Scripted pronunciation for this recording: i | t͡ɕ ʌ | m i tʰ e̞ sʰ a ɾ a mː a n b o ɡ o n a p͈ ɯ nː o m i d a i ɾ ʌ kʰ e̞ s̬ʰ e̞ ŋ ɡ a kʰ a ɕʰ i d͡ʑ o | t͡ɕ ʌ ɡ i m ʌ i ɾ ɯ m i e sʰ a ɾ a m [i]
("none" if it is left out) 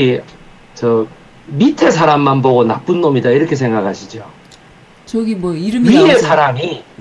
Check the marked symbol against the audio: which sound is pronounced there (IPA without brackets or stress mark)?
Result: i